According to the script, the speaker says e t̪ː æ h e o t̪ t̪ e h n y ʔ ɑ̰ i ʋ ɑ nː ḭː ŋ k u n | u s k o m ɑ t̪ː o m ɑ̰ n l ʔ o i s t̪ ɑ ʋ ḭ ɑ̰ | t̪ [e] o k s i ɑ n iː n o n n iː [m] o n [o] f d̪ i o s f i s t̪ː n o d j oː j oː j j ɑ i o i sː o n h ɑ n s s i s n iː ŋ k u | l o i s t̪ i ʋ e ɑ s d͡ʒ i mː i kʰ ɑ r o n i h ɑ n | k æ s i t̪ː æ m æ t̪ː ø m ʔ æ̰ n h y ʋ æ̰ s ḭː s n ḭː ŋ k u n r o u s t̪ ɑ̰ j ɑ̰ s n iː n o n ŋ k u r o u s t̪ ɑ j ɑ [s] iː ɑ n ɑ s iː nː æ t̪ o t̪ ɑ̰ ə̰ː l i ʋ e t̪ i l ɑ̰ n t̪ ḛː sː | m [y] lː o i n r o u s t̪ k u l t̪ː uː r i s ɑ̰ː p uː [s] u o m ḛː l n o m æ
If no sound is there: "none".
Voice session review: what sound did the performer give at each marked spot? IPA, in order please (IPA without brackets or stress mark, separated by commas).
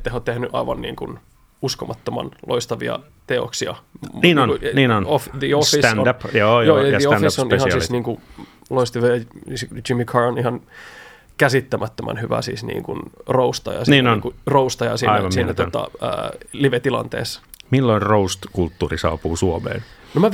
e, n, o, s, i, s